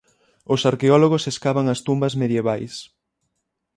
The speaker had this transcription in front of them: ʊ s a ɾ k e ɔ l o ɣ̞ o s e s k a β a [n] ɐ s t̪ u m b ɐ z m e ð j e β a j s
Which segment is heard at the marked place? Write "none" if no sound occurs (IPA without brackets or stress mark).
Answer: ŋ